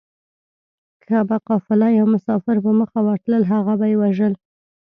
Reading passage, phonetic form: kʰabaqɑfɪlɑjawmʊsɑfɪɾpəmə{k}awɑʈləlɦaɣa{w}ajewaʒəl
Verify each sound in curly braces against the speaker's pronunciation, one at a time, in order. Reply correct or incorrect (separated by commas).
incorrect, incorrect